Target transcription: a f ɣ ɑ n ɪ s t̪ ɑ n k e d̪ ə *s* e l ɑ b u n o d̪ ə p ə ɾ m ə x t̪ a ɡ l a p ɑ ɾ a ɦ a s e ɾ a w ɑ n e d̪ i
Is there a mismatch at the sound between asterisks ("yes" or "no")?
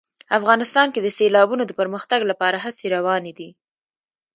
no